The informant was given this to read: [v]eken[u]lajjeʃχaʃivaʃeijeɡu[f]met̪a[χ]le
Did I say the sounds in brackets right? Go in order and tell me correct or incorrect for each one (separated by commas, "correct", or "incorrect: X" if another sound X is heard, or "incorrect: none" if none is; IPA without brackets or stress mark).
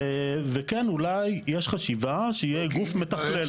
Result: correct, correct, correct, correct